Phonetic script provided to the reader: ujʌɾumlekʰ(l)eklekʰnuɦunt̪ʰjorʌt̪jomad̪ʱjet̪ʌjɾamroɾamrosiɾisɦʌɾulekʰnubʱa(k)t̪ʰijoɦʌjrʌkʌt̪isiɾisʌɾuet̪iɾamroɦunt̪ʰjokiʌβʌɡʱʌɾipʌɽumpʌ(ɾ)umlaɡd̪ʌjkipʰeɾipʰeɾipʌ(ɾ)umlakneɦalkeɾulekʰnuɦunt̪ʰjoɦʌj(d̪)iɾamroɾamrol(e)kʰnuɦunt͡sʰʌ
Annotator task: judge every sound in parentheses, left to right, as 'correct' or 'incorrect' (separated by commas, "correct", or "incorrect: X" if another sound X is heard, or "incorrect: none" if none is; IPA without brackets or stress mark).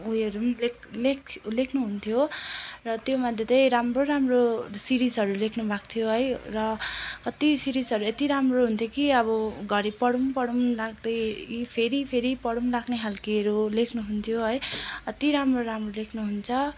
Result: correct, correct, incorrect: ɽ, incorrect: ɽ, incorrect: t̪, correct